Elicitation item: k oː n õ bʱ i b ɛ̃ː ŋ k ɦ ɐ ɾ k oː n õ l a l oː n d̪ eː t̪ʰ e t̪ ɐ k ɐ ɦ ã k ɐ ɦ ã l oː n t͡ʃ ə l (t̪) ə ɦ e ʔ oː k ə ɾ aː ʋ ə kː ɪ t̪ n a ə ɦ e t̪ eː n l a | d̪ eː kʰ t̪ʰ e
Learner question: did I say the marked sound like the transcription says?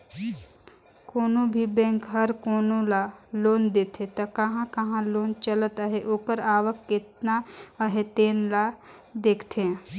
yes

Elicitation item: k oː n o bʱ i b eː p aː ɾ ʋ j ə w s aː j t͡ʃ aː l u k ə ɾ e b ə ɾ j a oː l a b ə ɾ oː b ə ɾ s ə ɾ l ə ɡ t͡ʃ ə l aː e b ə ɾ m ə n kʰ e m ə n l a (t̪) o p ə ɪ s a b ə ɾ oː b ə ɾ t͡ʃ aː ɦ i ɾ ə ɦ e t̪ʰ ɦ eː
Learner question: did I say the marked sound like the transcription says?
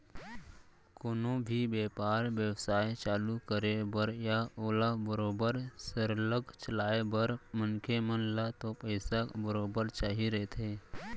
yes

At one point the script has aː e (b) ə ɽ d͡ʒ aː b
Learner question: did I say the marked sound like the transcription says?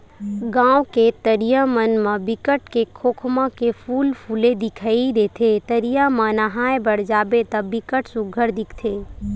yes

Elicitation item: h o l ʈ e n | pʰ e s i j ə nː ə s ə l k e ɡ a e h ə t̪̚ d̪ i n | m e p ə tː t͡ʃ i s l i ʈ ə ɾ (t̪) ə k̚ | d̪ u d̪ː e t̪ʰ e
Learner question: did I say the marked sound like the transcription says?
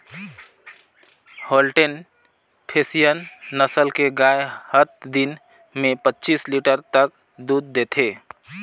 yes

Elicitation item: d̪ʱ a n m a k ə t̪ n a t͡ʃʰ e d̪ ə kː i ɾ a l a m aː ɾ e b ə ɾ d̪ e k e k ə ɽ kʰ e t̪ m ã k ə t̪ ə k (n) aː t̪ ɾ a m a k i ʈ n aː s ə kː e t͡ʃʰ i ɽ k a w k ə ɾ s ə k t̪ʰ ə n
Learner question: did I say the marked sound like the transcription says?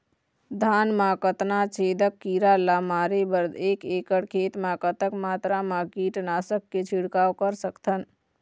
no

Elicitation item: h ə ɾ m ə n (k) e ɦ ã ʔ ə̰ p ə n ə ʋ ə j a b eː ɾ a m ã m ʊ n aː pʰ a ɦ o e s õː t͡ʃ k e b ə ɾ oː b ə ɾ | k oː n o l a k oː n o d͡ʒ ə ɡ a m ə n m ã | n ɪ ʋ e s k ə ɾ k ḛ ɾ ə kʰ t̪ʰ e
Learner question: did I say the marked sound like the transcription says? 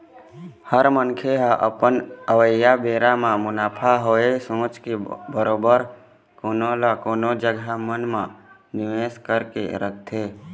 no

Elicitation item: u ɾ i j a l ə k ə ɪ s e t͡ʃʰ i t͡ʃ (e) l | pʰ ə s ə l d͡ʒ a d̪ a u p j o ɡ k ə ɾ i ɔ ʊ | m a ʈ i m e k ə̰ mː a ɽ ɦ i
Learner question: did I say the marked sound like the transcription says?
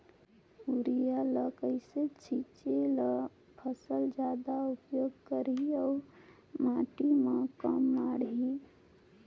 yes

